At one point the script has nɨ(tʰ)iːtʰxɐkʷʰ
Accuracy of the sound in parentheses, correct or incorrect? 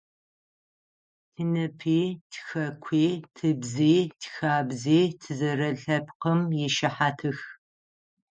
incorrect